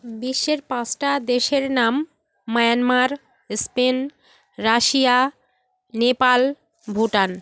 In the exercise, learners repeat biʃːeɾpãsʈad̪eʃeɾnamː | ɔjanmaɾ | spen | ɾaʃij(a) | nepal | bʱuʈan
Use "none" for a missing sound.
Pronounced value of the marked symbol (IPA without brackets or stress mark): a